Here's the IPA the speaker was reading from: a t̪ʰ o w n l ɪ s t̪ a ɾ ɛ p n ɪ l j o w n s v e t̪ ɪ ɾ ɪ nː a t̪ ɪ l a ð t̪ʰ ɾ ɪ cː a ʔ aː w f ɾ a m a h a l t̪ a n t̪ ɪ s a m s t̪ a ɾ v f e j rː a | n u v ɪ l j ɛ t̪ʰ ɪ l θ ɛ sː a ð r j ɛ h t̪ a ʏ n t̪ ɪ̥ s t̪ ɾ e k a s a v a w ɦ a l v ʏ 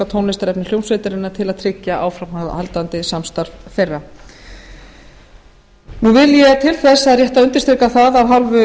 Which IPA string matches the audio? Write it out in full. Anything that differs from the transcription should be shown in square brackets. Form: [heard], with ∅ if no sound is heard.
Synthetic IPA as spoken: a t̪ʰ o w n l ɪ s t̪ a ɾ ɛ p n ɪ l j o w n s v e t̪ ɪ ɾ ɪ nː a [t̪ʰ] ɪ l a ð t̪ʰ ɾ ɪ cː a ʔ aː w f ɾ a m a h a l t̪ a n t̪ ɪ s a m s t̪ a ɾ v f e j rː a | n u v ɪ l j ɛ t̪ʰ ɪ l θ ɛ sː a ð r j ɛ h t̪ a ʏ n t̪ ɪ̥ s t̪ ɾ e k a [θ] a [ð] a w ɦ a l v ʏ